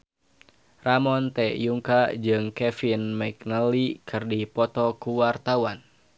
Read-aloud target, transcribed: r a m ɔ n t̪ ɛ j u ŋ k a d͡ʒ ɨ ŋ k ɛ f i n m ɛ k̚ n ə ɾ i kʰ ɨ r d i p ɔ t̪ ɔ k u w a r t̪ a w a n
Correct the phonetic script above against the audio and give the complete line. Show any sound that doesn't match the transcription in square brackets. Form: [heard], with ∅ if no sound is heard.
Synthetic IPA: r a m ɔ n t̪ ɛ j u ŋ k a d͡ʒ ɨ ŋ k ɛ f i n m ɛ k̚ n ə [l] i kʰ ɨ r d i p ɔ t̪ ɔ k u w a r t̪ a w a n